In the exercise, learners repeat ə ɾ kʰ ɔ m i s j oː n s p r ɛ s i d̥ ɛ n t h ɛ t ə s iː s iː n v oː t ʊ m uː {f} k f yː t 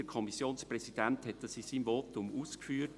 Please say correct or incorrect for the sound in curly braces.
incorrect